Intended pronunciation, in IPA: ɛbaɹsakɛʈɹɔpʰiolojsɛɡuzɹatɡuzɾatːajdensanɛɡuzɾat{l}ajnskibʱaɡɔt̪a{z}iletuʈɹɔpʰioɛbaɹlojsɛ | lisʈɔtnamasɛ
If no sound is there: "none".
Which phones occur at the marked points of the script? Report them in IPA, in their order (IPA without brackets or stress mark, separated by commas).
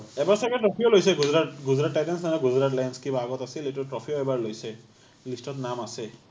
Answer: l, s